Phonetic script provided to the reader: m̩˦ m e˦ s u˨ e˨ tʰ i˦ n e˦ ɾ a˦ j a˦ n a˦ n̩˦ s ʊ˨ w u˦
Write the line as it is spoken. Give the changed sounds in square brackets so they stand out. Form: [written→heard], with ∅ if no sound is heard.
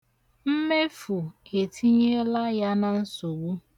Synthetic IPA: m̩˦ m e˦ [s→f] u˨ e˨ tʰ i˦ [n→ɲ] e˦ [ɾ→l] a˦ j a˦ n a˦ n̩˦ s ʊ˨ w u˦